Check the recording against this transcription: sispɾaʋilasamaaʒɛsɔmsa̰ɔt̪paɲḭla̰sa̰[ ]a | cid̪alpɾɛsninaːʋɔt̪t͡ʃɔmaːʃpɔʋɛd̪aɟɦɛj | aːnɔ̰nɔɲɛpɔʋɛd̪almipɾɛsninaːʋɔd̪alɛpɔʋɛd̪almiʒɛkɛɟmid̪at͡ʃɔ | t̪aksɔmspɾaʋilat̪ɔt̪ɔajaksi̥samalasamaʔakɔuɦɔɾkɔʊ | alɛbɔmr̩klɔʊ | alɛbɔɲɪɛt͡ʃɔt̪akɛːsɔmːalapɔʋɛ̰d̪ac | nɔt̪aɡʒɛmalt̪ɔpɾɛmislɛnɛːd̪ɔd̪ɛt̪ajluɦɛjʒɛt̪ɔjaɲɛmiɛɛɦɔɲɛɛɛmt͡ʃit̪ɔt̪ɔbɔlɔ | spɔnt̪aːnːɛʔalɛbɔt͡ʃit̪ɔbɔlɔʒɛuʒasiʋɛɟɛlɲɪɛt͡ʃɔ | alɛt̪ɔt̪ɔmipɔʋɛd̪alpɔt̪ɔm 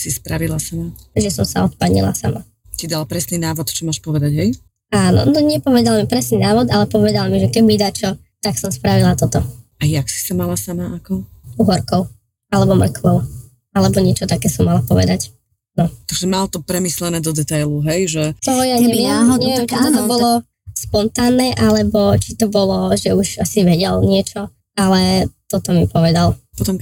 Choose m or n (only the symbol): m